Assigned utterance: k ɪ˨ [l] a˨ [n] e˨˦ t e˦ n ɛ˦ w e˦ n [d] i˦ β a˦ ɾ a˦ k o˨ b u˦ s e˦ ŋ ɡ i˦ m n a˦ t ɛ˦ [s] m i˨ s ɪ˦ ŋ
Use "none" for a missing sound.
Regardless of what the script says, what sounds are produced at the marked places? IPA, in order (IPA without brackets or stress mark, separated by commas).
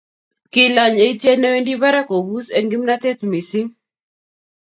l, ɲ, d, t